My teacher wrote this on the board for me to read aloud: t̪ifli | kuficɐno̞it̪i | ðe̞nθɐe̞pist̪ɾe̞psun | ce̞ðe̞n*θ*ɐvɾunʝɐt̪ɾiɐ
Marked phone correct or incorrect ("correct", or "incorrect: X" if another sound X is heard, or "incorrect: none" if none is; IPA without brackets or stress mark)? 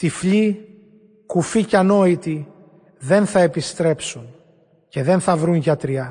correct